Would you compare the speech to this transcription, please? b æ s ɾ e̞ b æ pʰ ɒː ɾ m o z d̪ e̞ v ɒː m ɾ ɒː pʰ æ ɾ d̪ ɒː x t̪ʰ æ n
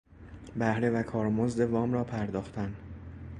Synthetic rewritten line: b æ h ɾ e̞ v æ kʰ ɒː ɾ m o z d̪ e̞ v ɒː m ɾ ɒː pʰ æ ɾ d̪ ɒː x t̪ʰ æ n